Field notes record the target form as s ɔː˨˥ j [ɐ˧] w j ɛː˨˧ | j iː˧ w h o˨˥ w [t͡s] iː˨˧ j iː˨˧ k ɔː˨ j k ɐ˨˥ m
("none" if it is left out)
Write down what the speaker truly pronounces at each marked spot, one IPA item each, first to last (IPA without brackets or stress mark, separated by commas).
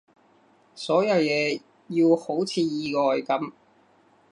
ɐ˧, t͡sʰ